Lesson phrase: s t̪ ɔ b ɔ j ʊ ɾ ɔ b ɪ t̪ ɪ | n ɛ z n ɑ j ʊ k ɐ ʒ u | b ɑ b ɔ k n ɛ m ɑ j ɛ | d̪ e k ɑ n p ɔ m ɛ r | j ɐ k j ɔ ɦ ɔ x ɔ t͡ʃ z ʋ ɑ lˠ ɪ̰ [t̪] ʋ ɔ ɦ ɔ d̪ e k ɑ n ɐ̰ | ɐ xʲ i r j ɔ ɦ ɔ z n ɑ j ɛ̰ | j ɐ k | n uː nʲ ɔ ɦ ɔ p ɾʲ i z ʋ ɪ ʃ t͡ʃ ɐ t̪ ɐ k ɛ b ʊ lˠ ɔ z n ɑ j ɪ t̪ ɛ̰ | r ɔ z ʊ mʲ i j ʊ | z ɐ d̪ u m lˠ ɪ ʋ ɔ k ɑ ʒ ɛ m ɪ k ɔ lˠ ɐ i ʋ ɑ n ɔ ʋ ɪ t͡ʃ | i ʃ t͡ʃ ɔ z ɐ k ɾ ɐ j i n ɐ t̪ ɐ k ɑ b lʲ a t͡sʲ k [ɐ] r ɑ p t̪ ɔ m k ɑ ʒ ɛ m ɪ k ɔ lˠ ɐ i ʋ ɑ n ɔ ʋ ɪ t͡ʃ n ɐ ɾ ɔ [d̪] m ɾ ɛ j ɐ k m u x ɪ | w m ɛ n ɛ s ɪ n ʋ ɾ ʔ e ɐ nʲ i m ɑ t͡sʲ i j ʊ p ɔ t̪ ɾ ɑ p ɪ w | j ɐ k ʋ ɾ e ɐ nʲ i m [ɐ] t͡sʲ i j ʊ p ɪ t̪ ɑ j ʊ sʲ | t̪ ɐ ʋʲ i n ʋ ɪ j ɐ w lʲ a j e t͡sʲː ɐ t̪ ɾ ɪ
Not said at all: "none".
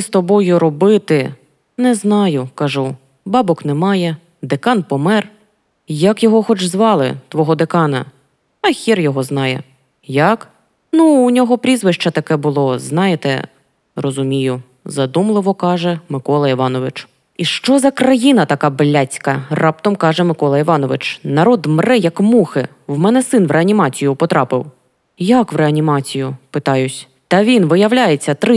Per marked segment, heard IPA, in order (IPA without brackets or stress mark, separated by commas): t̪, ɐ, d̪, ɑ